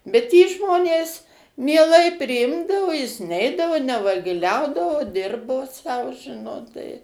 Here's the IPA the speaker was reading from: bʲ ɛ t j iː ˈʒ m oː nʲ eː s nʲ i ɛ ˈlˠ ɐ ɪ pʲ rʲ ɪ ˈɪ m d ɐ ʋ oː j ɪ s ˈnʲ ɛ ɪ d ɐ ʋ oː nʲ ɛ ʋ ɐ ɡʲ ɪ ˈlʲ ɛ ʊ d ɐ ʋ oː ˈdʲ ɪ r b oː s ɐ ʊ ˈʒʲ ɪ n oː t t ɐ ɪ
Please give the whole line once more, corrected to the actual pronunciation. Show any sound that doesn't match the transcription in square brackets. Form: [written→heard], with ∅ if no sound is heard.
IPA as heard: bʲ ɛ t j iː ˈʒ m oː nʲ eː s [nʲ→mʲ] i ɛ ˈlˠ ɐ ɪ pʲ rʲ ɪ ˈɪ m d ɐ ʋ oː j ɪ s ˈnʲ ɛ ɪ d ɐ ʋ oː nʲ ɛ ʋ ɐ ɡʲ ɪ ˈlʲ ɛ ʊ d ɐ ʋ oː ˈdʲ ɪ r b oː s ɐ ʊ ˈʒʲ ɪ n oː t t ɐ ɪ